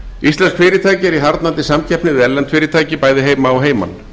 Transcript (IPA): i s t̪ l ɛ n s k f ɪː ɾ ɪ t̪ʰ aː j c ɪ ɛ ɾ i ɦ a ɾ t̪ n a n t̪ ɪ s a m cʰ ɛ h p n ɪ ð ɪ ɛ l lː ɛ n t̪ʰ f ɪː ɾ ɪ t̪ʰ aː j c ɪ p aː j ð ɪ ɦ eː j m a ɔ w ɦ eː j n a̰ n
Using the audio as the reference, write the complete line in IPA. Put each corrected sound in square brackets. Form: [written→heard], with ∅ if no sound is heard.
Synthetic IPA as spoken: i s t̪ l ɛ n s k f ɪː ɾ ɪ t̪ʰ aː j c ɪ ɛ ɾ i ɦ a ɾ t̪ n a n t̪ ɪ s a m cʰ ɛ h p n ɪ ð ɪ ɛ l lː ɛ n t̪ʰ f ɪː ɾ ɪ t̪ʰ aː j c ɪ p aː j ð ɪ ɦ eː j m a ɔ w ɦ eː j [n→m] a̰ n